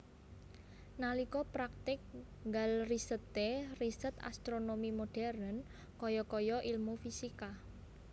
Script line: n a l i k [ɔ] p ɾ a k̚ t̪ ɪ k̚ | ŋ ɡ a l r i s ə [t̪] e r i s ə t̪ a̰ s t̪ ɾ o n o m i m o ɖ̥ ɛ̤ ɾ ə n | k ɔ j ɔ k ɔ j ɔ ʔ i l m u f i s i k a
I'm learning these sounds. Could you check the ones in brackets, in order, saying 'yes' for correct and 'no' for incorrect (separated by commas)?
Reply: yes, yes